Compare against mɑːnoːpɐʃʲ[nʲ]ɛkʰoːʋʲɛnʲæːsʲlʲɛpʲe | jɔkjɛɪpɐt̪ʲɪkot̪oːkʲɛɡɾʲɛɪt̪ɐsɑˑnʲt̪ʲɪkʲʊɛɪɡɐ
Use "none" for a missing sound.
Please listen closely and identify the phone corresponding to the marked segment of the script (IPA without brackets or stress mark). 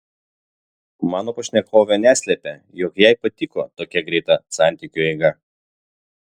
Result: nʲ